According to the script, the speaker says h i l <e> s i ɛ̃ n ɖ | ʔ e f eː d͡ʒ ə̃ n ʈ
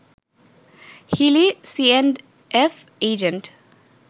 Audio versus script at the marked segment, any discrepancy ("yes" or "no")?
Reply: yes